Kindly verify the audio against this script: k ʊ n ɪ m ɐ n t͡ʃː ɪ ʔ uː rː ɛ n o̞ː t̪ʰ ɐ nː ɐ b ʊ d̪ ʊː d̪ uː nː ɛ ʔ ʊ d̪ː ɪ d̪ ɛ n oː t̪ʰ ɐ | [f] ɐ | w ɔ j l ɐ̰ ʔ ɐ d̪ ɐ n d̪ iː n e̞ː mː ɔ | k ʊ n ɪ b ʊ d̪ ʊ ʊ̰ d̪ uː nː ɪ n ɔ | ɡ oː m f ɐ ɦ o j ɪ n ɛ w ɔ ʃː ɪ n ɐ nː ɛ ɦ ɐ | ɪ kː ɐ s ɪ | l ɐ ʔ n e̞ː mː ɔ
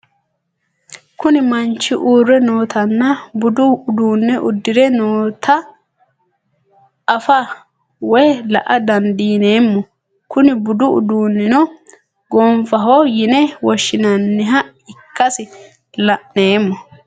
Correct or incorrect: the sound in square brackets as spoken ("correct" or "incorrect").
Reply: correct